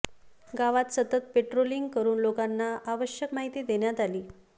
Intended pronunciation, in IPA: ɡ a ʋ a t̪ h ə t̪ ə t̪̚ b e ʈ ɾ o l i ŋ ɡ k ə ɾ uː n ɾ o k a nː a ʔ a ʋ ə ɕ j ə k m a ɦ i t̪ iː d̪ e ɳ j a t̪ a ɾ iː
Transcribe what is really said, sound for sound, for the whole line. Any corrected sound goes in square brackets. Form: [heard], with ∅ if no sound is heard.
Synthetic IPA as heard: ɡ a ʋ a t̪ [s] ə t̪ ə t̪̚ [p] e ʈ ɾ o l i ŋ ɡ k ə ɾ uː n [l] o k a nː a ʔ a ʋ ə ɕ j ə k m a ɦ i t̪ iː d̪ e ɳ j a t̪ a [l] iː